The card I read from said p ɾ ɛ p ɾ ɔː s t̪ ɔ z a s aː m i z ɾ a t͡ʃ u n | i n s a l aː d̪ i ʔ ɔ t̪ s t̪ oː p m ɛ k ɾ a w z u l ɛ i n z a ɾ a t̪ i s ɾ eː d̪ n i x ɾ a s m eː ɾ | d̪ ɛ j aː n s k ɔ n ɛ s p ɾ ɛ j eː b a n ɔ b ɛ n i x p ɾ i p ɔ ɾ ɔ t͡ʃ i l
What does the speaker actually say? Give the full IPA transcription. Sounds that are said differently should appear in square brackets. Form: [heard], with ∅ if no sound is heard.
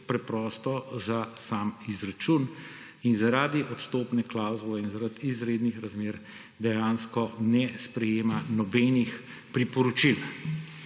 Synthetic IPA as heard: p ɾ ɛ p ɾ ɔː s t̪ ɔ z a s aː m i z ɾ a t͡ʃ u n | i n [z] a [ɾ] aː d̪ i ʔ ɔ t̪ s t̪ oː p [n] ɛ k [l] a w z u l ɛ i n z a ɾ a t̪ i [z] ɾ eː d̪ n i x ɾ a [z] m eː ɾ | d̪ ɛ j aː n s k ɔ n ɛ s p ɾ ɛ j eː [m] a n ɔ b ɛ n i x p ɾ i p ɔ ɾ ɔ t͡ʃ i l

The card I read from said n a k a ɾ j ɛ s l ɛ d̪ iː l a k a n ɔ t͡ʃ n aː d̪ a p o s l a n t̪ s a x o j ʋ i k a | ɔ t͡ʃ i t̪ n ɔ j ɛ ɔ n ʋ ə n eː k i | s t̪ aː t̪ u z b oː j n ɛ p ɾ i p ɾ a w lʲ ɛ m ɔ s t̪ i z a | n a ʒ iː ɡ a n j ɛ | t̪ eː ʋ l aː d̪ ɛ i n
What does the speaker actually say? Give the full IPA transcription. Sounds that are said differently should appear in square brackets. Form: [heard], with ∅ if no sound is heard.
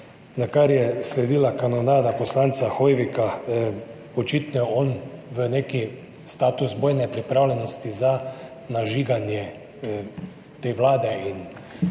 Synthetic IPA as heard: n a k a ɾ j ɛ s l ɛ d̪ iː l a k a n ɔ [∅] n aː d̪ a p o s l a n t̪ s a x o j ʋ i k a | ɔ t͡ʃ i t̪ n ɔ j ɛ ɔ n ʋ ə n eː k i | s t̪ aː t̪ u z b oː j n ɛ p ɾ i p ɾ a w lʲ ɛ [n] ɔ s t̪ i z a | n a ʒ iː ɡ a n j ɛ | t̪ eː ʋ l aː d̪ ɛ i n

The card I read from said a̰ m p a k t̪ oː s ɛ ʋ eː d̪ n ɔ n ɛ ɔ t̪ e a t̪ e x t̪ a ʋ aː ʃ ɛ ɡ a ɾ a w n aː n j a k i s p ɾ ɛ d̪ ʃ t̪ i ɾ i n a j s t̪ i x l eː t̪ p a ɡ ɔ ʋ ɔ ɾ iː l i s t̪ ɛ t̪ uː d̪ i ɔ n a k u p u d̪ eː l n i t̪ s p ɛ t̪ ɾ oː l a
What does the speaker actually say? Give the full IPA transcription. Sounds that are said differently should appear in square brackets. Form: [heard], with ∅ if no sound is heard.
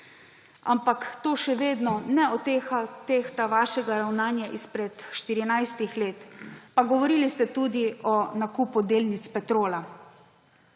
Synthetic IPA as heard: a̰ m p a k t̪ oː [ʃ] ɛ ʋ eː d̪ n ɔ n ɛ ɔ t̪ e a t̪ e x t̪ a ʋ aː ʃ ɛ ɡ a ɾ a w n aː n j a [ʔ] i s p ɾ ɛ [t̪] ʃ t̪ i ɾ i n a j s t̪ i x l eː t̪ p a ɡ ɔ ʋ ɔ ɾ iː l i s t̪ ɛ t̪ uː d̪ i ɔ n a k u p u d̪ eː l n i t̪ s p ɛ t̪ ɾ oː l a

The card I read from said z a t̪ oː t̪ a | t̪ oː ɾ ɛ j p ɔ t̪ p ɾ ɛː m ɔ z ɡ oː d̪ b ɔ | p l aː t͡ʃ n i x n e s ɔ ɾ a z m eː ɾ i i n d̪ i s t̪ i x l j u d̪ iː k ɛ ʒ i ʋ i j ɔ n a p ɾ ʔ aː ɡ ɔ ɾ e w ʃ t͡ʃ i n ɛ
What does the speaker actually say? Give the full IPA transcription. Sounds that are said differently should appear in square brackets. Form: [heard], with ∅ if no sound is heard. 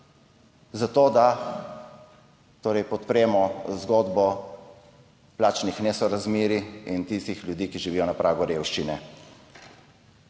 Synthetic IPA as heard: z a t̪ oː [d̪] a | t̪ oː ɾ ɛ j p ɔ t̪ p ɾ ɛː m ɔ z ɡ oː d̪ b ɔ | p l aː t͡ʃ n i x n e s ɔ ɾ a z m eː ɾ i i n [t̪] i s t̪ i x l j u d̪ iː k [i] ʒ i ʋ i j ɔ n a p ɾ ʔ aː ɡ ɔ ɾ e w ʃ t͡ʃ i n ɛ

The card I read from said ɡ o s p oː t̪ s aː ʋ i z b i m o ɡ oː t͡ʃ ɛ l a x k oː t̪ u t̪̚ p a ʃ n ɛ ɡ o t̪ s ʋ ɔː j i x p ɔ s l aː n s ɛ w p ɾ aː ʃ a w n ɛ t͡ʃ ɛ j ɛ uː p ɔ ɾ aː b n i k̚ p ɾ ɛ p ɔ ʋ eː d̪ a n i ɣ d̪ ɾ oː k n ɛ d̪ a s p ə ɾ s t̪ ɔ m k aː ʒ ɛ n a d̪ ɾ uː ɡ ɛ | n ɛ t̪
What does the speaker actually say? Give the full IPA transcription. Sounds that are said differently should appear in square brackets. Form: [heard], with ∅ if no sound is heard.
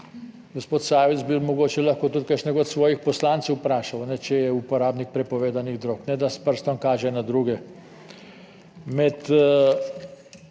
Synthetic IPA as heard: ɡ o s p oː t̪ s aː ʋ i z b i m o ɡ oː t͡ʃ ɛ l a x k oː t̪ u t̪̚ [k] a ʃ n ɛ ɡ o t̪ s ʋ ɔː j i x p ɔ s l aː n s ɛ w p ɾ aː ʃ a w n ɛ t͡ʃ ɛ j ɛ [u] p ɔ ɾ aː b n i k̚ p ɾ ɛ p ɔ ʋ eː d̪ a n i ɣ d̪ ɾ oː k n ɛ d̪ a s p ə ɾ s t̪ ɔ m k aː ʒ ɛ n a d̪ ɾ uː ɡ ɛ | [m] ɛ t̪

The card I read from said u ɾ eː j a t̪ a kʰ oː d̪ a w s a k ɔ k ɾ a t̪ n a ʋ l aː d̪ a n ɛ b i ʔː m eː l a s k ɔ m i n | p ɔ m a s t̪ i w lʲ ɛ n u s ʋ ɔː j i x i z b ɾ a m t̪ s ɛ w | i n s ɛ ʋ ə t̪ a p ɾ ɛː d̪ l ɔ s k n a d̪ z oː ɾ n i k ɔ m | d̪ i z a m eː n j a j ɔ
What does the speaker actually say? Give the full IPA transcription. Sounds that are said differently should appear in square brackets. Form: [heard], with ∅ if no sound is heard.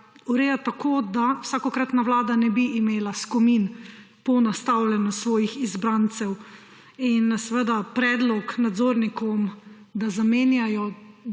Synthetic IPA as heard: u ɾ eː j a t̪ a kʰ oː d̪ a w s a k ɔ k ɾ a t̪ n a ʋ l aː d̪ a n ɛ b i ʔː m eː l a s k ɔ m i n | p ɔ [n] a s t̪ [a] w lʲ ɛ n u s ʋ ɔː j i x i z b ɾ a [n] t̪ s ɛ w | i n s ɛ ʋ ə [d̪] a p ɾ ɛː d̪ l ɔ [∅] k n a d̪ z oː ɾ n i k ɔ m | d̪ [a] z a m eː n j a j ɔ

